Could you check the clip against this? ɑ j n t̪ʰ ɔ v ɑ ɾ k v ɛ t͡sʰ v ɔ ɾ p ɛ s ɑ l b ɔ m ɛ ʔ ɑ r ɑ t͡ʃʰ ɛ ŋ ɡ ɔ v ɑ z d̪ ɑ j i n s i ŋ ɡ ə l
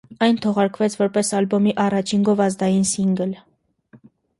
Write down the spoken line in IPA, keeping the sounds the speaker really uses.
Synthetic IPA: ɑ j n t̪ʰ ɔ ʁ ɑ ɾ k v ɛ t͡sʰ v ɔ ɾ p ɛ s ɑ l b ɔ m i ʔ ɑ r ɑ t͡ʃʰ i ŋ ɡ ɔ v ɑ z d̪ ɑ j i n s i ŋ ɡ ə l